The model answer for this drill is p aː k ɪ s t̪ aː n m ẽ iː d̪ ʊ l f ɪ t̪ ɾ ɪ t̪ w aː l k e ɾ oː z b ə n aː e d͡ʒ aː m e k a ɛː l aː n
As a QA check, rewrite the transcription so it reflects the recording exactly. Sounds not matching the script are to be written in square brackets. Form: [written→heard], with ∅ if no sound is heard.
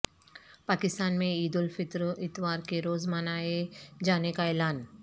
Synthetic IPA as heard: p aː k ɪ s t̪ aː n m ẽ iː d̪ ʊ l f ɪ t̪ ɾ ɪ t̪ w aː [l→ɾ] k e ɾ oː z [b→m] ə n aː e d͡ʒ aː [m→n] e k a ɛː l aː n